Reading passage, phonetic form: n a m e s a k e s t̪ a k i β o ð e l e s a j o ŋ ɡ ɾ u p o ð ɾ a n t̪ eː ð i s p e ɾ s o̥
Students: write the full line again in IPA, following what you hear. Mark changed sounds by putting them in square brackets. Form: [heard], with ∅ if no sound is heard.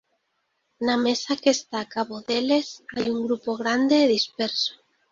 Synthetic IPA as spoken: n a m e s a k e s t̪ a k [a] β o ð e l e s a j [u] ŋ ɡ ɾ u p o [ɣ] ɾ a n [d̪] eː ð i s p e ɾ s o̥